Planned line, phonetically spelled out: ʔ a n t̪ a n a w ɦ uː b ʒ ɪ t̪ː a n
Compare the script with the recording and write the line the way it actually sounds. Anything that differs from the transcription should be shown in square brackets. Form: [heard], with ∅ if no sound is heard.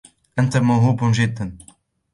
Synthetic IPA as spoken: ʔ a n t̪ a [m] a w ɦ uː b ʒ ɪ [d̪ː] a n